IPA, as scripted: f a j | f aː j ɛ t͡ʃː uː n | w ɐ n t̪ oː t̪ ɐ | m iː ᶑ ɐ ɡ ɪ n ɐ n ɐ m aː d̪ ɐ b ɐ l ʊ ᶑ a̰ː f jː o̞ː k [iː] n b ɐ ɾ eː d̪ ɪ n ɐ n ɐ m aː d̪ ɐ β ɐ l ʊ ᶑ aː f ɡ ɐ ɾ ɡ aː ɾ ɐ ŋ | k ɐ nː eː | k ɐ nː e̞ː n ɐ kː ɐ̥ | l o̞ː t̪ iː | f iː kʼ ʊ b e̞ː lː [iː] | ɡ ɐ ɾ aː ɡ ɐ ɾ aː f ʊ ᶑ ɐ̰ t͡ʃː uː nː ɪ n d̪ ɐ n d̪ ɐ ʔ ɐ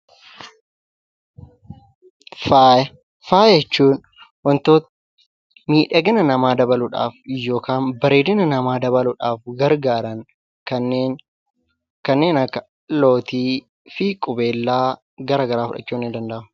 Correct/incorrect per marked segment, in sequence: incorrect: aː, incorrect: aː

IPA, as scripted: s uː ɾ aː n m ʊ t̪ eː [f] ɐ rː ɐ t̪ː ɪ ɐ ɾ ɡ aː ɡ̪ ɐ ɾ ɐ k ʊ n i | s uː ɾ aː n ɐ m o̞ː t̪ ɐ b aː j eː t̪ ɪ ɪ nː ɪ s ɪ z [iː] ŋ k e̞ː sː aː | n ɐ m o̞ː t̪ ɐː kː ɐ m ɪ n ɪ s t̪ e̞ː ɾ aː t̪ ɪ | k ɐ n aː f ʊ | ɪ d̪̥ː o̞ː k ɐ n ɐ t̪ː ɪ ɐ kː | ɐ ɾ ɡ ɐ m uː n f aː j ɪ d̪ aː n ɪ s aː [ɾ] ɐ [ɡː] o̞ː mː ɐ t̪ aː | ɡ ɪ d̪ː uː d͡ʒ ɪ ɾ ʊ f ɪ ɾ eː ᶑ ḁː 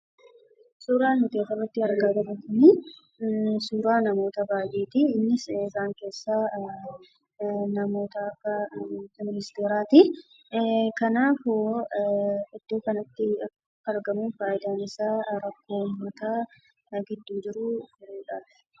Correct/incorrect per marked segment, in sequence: correct, incorrect: aː, correct, incorrect: kː

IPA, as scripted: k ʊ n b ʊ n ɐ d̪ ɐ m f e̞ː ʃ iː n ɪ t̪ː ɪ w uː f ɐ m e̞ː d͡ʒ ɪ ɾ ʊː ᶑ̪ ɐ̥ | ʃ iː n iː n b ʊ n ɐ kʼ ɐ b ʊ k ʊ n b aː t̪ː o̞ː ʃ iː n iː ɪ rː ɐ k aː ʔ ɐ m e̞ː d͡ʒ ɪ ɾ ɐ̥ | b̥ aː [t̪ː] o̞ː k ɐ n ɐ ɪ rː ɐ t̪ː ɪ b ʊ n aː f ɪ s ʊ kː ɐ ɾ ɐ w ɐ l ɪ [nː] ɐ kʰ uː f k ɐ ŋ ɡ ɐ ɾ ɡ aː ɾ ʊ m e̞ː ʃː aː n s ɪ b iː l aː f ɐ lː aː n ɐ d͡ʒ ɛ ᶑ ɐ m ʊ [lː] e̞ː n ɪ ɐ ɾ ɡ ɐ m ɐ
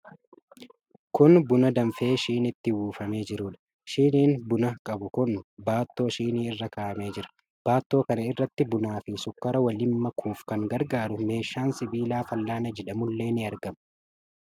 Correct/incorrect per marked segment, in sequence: correct, incorrect: mː, correct

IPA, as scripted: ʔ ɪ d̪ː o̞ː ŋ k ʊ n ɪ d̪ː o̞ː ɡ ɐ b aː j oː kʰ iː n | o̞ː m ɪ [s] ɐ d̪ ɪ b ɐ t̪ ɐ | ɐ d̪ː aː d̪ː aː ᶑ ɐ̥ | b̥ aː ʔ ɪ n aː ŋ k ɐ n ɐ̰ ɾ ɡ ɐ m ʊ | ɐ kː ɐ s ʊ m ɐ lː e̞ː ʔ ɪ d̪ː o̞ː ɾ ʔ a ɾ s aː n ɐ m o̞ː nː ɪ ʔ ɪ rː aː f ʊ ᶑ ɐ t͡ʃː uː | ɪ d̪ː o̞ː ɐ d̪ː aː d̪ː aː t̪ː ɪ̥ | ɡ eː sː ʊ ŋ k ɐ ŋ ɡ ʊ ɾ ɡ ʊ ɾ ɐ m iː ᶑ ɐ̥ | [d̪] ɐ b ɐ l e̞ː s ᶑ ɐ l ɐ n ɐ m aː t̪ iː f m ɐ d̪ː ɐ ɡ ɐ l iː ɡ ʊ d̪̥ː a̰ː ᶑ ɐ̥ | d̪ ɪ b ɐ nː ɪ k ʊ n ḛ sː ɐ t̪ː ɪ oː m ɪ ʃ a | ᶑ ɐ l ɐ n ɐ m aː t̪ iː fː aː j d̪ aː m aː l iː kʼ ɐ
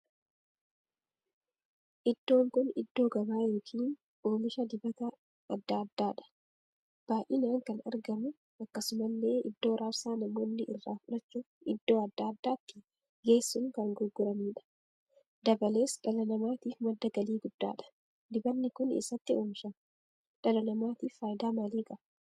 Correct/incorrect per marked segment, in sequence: incorrect: ʃ, correct

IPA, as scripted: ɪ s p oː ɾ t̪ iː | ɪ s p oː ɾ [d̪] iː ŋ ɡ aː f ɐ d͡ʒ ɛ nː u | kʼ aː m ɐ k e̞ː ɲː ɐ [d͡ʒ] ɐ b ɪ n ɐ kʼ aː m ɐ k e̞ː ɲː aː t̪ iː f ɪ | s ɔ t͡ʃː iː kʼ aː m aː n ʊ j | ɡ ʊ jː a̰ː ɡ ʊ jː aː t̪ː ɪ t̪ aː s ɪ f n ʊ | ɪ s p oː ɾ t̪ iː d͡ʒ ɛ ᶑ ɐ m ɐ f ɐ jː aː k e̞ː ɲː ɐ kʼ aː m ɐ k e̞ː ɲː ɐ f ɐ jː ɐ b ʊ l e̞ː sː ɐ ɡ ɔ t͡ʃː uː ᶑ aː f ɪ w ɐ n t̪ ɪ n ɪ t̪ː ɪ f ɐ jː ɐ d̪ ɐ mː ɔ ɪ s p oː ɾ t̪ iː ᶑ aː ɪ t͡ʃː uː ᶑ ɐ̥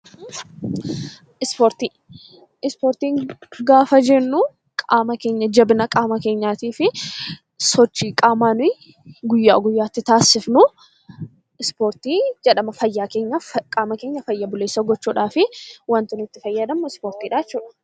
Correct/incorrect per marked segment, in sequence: incorrect: t̪, correct

